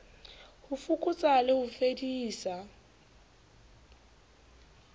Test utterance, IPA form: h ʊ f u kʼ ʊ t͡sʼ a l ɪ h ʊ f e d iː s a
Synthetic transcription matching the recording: h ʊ f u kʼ ʊ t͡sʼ a l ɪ h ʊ f e d iː s a